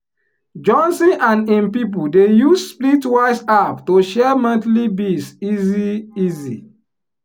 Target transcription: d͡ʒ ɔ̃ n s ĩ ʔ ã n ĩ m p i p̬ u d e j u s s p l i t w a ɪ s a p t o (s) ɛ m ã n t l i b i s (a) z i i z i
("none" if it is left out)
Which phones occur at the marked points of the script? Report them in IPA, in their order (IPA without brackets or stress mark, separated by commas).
ʃ, i